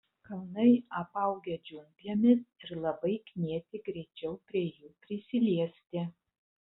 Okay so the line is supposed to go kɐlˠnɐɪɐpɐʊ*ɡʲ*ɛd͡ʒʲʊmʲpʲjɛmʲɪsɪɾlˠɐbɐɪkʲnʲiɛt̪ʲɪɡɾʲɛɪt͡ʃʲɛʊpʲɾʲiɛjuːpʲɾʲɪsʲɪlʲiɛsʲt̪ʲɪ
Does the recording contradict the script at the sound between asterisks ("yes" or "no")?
no